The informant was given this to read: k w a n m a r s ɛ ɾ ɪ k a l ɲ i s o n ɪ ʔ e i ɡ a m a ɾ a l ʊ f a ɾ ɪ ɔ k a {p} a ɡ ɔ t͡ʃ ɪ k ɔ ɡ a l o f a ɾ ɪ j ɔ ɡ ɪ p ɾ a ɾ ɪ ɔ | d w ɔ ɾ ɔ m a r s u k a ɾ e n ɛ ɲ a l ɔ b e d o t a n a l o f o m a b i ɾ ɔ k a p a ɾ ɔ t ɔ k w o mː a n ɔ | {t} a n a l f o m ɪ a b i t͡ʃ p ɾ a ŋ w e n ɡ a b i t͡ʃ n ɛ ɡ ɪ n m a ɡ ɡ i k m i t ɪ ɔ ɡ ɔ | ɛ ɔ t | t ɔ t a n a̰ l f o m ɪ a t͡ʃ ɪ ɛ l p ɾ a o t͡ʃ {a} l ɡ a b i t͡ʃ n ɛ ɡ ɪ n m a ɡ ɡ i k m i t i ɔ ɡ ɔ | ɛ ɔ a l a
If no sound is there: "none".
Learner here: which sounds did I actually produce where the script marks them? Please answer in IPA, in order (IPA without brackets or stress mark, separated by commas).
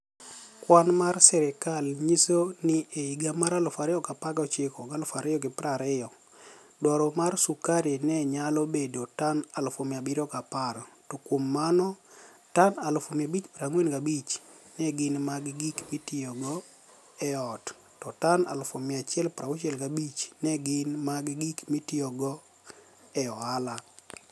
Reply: p, t, ɛ